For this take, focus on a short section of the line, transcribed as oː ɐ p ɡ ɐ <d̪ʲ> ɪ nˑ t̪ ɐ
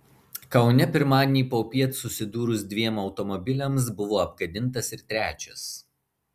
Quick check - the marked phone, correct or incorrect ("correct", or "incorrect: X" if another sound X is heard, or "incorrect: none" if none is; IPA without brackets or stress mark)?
correct